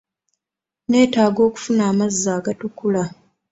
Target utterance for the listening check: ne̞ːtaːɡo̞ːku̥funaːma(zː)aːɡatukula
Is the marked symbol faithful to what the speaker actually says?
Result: yes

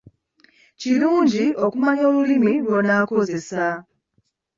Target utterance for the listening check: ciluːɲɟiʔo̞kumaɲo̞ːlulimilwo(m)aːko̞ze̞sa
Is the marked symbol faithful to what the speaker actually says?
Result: no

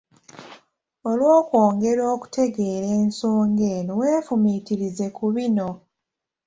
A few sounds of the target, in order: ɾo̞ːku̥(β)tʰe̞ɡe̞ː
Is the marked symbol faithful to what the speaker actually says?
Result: no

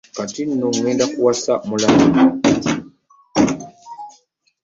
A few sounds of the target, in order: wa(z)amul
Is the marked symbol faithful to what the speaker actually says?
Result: no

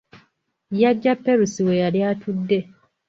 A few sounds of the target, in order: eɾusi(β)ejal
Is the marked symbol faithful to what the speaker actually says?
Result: no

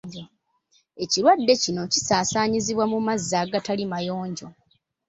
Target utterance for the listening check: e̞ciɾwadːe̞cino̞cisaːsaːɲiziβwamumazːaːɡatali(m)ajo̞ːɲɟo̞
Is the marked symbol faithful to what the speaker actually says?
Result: yes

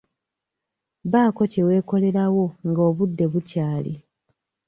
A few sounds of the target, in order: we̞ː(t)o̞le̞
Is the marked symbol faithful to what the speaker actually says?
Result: no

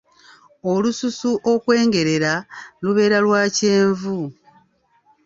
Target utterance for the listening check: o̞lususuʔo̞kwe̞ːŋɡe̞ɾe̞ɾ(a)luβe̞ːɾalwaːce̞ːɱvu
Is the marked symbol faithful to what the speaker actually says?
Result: yes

